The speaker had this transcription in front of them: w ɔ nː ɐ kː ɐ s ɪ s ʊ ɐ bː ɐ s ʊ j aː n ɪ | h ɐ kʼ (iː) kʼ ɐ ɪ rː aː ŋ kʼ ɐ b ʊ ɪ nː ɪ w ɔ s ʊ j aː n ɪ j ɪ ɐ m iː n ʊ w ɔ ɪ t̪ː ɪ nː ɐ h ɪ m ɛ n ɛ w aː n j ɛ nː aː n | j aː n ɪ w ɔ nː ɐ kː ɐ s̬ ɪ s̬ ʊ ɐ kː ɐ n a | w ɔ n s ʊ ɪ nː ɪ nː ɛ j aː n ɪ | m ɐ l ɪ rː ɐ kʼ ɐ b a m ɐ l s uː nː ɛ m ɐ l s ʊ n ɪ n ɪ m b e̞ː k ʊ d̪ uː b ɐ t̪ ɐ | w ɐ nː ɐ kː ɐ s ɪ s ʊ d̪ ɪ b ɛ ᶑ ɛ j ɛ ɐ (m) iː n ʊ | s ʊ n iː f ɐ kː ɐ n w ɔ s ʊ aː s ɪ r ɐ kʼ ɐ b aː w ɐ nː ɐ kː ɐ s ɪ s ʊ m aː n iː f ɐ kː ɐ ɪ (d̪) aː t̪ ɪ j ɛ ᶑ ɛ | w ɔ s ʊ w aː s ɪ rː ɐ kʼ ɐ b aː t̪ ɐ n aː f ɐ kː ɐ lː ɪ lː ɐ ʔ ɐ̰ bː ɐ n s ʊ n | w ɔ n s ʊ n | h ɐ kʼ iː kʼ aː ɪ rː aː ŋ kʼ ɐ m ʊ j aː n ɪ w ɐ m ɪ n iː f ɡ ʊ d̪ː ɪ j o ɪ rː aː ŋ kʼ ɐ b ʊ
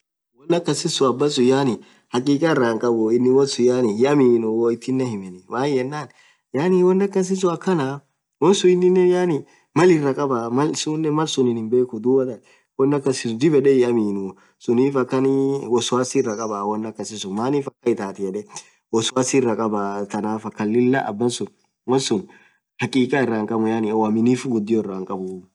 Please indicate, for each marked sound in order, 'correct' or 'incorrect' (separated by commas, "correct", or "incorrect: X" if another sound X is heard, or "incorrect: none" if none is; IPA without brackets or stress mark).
correct, correct, incorrect: t̪